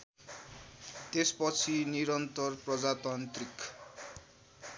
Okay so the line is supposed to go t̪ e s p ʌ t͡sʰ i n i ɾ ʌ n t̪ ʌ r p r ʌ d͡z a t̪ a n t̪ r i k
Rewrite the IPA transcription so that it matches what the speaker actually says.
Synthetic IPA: t̪ e s p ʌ t͡sʰ i n i ɾ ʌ n t̪ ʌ r p r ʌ d͡z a t̪ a n t̪ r i k